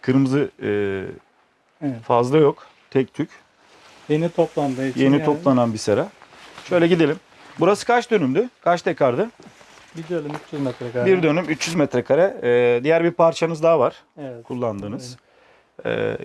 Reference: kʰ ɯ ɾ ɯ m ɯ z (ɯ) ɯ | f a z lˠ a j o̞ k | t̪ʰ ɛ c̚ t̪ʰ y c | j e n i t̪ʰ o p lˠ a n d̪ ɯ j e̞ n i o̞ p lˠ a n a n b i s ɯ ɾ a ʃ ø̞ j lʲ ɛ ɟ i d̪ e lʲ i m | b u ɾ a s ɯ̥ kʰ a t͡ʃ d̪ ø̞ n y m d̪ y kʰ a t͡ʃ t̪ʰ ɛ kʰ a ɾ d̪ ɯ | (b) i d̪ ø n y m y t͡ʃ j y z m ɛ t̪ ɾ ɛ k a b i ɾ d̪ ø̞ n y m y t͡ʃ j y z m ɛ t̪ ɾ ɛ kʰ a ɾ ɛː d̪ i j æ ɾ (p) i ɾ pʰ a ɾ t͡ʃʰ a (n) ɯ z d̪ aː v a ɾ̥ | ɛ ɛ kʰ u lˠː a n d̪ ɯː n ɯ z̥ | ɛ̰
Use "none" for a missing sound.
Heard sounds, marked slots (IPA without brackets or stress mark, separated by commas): ɯ, b, b, n